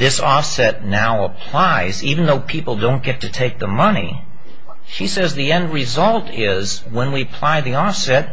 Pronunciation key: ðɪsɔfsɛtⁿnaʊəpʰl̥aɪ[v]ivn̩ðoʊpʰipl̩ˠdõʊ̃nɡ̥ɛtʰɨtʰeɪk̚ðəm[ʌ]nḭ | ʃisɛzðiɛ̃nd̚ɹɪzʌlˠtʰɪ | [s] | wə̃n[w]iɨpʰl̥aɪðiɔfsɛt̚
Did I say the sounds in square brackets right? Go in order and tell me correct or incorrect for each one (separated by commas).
incorrect, correct, incorrect, correct